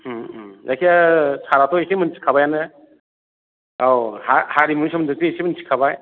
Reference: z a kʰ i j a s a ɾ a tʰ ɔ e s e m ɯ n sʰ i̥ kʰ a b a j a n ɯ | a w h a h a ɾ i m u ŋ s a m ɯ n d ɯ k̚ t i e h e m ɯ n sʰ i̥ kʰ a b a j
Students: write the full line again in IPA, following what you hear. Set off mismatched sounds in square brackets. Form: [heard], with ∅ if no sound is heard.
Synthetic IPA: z a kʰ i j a s a ɾ a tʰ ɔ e s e m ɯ n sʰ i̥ kʰ a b a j a n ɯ | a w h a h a ɾ i m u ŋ s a m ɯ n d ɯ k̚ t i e [s] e m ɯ n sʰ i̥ kʰ a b a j

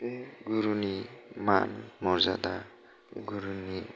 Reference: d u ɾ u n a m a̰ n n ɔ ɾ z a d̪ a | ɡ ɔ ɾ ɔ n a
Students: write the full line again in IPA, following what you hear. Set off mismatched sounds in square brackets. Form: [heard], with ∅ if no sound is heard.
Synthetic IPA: [ɡ] u ɾ u n [i] m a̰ n [m] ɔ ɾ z a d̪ a | ɡ [u] ɾ [u] n [i]

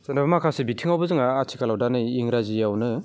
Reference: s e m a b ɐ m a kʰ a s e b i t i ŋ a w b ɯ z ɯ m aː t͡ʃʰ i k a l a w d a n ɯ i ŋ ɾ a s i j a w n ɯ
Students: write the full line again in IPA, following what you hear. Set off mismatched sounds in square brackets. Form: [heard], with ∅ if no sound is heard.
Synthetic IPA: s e [n] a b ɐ m a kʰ a s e b i [tʰ] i ŋ a w b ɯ z ɯ [ŋ] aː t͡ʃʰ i k a l a w d a n ɯ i ŋ ɾ a [z] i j a w n ɯ

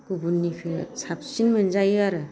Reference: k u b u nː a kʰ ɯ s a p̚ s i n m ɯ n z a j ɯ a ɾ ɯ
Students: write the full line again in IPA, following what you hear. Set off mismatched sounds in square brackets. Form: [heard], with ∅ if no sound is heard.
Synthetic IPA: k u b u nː [i] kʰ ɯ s a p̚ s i n m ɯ n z a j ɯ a ɾ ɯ

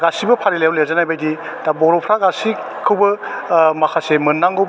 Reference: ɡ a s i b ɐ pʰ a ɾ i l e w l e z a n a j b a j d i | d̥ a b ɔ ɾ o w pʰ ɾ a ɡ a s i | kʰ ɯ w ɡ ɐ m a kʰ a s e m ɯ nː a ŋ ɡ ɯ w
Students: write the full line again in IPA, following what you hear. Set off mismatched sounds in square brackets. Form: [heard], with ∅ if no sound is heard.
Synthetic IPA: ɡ a s i b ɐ pʰ a ɾ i l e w l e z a n a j b a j d i | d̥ a b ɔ ɾ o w pʰ ɾ a ɡ a s i | kʰ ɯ w [b] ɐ m a kʰ a s e m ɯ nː a ŋ ɡ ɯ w

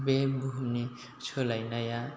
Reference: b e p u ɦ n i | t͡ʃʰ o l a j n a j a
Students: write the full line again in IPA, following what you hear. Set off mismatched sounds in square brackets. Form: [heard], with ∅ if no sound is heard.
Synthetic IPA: b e [b] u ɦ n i | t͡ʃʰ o l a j n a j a

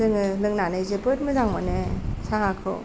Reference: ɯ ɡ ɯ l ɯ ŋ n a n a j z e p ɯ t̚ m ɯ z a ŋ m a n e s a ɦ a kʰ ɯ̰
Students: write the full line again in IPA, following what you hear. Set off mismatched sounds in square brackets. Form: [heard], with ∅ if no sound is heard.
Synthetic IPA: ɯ [ŋ] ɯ l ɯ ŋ n a n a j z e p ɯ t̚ m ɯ z a ŋ m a n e s a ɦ a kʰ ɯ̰

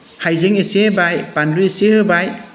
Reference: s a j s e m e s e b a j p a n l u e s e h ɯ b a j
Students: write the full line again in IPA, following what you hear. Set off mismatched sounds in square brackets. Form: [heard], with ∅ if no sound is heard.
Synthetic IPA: [h] a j [z] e [ŋ] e s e b a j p a n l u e s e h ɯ b a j

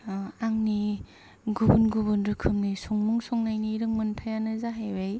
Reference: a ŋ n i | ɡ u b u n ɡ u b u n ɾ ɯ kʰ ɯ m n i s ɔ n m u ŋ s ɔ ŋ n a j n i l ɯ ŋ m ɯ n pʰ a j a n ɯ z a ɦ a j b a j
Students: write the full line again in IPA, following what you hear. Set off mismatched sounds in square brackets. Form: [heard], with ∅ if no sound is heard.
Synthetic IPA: a ŋ n i | ɡ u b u n ɡ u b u n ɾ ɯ kʰ ɯ m n i s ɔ [ŋ] m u ŋ s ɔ ŋ n a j n i [ɾ] ɯ ŋ m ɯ n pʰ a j a n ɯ z a ɦ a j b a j

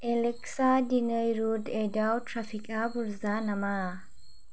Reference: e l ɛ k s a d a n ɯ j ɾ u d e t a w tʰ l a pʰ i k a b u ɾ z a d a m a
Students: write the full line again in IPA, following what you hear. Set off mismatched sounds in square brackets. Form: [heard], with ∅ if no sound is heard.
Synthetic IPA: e l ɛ k s a d [i] n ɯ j ɾ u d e [d] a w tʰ [ɾ] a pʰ i k a b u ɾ z a [n] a m a

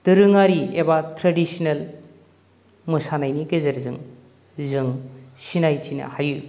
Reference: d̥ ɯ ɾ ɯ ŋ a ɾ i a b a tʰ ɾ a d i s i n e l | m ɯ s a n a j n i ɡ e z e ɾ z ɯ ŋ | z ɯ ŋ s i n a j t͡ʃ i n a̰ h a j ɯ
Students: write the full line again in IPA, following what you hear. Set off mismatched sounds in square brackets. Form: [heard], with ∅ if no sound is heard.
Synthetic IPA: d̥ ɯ ɾ ɯ ŋ a ɾ i [e] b a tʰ ɾ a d i s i n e l | m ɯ s a n a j n i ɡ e z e ɾ z ɯ ŋ | z ɯ ŋ s i n a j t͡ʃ i n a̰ h a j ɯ

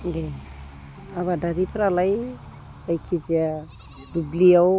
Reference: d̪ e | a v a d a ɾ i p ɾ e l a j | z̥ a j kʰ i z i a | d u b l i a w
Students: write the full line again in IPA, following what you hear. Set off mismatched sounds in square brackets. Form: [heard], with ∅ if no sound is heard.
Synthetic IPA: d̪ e | a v a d a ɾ i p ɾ [a] l a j | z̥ a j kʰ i z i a | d u b l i a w

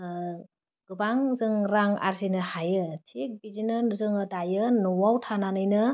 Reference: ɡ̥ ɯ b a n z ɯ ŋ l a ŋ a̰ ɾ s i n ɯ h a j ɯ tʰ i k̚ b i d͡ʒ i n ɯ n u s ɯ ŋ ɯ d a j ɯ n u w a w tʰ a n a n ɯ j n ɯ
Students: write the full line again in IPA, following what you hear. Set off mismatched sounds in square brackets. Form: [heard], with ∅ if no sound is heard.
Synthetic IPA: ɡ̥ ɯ b a [ŋ] z ɯ ŋ [ɾ] a ŋ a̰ ɾ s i n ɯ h a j ɯ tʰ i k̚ b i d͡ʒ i n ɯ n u [z] ɯ ŋ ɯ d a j ɯ n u w a w tʰ a n a n ɯ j n ɯ

